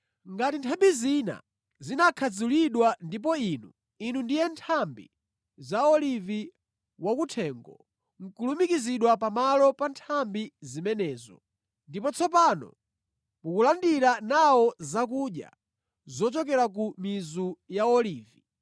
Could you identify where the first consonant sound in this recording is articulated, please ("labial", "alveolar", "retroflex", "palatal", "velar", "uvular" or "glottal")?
velar